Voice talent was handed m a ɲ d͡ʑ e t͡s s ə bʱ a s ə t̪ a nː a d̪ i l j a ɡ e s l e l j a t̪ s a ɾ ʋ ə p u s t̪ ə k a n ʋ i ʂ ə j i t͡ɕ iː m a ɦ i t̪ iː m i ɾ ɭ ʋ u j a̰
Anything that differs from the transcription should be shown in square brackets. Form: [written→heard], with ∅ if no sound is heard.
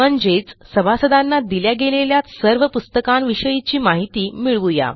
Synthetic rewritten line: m [a→ə] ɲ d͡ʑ e t͡s s ə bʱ a s ə [t̪→d̪] a nː a d̪ i l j a ɡ e [s→∅] l e l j a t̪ s [a→ə] ɾ ʋ ə p u s t̪ ə k a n ʋ i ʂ ə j i t͡ɕ iː m a ɦ i t̪ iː m i [ɾ→∅] ɭ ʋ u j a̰